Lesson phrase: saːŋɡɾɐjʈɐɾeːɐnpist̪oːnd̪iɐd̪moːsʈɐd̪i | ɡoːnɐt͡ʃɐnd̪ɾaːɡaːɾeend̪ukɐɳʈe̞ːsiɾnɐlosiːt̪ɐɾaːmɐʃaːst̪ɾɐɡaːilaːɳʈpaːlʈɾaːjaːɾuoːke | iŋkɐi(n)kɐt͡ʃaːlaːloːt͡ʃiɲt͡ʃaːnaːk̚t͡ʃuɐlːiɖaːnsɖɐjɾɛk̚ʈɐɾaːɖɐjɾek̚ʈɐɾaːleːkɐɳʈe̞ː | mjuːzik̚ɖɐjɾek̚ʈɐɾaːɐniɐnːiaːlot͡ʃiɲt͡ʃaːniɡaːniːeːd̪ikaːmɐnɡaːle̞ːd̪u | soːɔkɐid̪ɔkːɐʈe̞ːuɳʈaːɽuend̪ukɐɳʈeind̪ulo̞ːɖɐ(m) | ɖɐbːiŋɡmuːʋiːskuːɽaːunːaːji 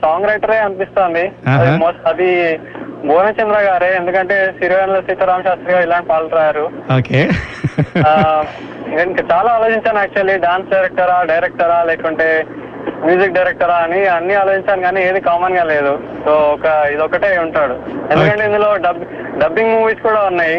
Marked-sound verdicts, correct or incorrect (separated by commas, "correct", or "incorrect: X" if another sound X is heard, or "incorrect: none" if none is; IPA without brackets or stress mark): incorrect: ŋ, incorrect: b